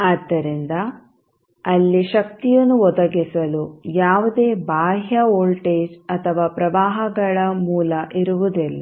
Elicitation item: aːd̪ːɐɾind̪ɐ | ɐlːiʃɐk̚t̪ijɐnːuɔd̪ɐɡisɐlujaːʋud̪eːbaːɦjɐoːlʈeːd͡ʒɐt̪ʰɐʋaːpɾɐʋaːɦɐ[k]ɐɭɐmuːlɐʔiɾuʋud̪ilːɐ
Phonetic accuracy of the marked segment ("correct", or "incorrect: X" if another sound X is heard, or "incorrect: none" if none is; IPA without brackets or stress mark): incorrect: ɡ